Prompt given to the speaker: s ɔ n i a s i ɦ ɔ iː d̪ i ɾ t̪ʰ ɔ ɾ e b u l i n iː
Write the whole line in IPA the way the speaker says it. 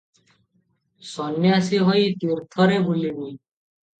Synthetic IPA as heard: s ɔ n j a s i ɦ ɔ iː t̪ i ɾ t̪ʰ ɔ ɾ e b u l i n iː